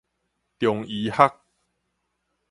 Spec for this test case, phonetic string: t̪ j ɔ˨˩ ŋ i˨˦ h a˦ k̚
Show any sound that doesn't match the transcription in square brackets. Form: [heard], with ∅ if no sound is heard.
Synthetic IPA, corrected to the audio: t̪ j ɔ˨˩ ŋ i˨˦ h a˦ k̚